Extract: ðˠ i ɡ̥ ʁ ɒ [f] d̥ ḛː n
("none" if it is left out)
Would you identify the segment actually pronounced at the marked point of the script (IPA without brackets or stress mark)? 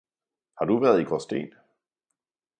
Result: s